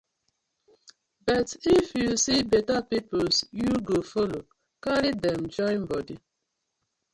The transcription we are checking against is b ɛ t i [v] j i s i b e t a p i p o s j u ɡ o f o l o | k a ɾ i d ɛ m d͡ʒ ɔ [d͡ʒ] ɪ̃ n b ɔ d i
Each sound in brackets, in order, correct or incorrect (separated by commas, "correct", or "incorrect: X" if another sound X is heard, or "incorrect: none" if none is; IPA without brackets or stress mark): incorrect: f, incorrect: none